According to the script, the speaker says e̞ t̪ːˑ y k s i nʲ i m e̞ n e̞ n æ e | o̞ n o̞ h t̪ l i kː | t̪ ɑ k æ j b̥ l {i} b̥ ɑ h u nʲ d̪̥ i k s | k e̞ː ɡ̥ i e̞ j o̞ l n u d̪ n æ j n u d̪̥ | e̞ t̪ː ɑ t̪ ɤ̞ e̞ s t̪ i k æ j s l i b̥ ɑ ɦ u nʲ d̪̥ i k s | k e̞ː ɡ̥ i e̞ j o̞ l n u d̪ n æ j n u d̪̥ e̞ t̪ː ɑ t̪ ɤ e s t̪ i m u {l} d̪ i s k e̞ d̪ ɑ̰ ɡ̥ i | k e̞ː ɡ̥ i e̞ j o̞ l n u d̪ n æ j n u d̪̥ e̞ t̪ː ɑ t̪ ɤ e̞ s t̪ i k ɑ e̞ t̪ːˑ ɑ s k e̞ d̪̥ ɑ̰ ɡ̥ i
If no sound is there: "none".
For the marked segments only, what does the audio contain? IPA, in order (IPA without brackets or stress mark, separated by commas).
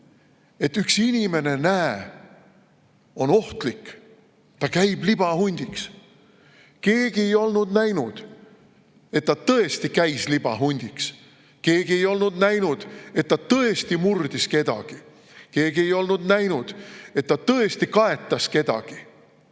i, r